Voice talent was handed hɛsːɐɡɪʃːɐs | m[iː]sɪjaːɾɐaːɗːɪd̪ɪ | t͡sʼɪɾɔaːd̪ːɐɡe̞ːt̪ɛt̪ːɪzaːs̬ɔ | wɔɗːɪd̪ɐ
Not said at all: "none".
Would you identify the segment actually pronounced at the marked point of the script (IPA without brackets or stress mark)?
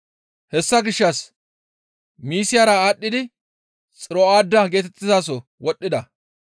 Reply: iː